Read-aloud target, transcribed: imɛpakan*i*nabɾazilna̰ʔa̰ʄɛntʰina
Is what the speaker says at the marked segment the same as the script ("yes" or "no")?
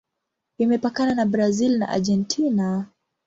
no